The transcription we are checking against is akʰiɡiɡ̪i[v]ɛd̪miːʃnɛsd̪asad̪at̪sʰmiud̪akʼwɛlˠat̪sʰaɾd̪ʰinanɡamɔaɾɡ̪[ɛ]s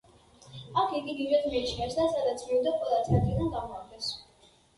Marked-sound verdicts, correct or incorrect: correct, correct

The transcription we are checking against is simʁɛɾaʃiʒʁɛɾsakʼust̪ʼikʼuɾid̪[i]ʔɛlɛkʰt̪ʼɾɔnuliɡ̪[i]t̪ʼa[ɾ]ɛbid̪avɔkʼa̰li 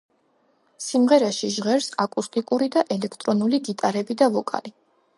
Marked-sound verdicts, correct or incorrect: incorrect: a, correct, correct

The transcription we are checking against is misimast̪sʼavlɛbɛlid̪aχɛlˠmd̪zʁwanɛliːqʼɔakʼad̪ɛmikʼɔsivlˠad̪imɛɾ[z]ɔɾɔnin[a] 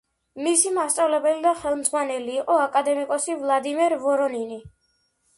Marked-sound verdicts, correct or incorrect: incorrect: v, incorrect: i

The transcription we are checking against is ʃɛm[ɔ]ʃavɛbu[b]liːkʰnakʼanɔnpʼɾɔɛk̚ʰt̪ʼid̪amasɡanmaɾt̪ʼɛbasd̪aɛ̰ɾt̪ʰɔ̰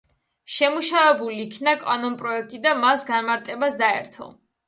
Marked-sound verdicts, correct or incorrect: incorrect: u, incorrect: none

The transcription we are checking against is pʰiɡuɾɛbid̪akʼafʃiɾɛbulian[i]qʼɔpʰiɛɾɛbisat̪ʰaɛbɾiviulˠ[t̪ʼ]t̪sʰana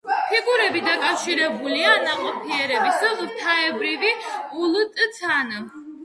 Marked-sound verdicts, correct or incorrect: incorrect: a, correct

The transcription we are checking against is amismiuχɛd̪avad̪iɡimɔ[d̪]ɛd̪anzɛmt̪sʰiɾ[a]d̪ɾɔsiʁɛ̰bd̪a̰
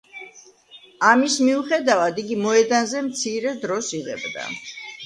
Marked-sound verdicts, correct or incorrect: incorrect: none, incorrect: ɛ

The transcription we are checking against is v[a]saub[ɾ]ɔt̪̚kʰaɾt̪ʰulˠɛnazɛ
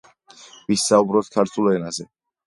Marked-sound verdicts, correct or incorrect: incorrect: i, correct

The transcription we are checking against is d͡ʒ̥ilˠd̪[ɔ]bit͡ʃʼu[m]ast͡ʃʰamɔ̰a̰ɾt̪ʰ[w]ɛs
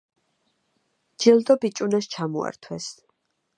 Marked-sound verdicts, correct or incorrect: correct, incorrect: n, correct

